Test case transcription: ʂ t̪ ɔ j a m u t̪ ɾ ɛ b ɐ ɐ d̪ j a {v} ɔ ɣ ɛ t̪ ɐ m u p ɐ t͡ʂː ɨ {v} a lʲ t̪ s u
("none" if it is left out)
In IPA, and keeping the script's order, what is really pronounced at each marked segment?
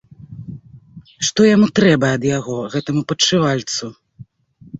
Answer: ɣ, v

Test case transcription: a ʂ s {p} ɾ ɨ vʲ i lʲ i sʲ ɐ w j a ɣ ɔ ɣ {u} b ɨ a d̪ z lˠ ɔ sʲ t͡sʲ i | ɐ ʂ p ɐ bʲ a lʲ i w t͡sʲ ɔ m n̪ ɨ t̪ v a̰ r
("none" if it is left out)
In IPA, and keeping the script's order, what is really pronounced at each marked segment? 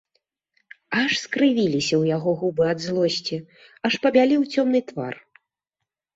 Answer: k, u

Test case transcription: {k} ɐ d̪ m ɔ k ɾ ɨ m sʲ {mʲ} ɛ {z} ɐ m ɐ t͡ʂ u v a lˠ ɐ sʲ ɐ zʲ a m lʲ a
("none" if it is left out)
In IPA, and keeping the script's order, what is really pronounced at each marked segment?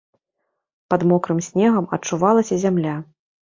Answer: p, nʲ, ɣ

